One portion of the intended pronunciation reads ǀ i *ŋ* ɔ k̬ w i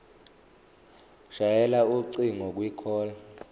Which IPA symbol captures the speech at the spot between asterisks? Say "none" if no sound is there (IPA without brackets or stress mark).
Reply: ŋ